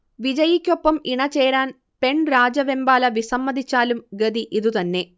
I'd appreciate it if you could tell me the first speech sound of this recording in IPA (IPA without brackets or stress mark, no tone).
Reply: ʋ